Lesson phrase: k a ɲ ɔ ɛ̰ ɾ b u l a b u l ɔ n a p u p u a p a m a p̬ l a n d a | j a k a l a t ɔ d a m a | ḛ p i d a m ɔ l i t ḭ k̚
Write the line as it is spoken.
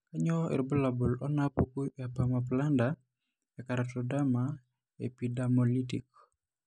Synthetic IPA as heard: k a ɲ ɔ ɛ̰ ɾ b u l a b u l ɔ n a p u k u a p a m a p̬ l a n d a | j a k a ɾ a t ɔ d a m a | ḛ p i d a m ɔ l i t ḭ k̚